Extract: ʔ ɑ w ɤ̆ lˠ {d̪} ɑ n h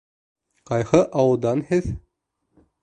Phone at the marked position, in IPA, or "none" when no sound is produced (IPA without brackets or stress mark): d̪